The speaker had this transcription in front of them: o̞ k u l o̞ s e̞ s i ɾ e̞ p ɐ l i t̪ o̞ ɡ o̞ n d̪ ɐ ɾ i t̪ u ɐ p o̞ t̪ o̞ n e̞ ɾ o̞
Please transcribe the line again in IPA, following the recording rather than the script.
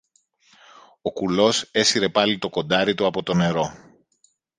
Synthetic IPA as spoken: o̞ k u l o̞ s e̞ s i ɾ e̞ p ɐ l i t̪ o̞ k o̞ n d̪ ɐ ɾ i t̪ u ɐ p o̞ t̪ o̞ n e̞ ɾ o̞